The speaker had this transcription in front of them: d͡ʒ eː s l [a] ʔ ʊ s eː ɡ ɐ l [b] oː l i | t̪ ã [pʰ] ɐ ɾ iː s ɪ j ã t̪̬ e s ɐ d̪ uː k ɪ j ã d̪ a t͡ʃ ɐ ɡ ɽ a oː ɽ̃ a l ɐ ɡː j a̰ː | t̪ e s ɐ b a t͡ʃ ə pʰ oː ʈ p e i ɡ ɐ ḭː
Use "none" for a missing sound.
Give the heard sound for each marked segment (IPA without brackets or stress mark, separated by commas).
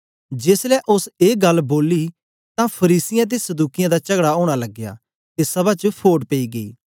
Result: ɛ, b, pʰ